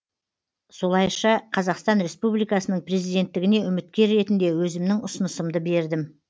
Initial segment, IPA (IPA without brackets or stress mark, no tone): s